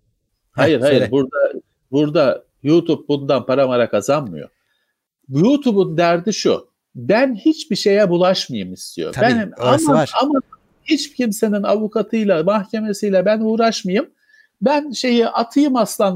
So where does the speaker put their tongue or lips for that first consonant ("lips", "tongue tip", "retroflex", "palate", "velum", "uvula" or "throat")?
throat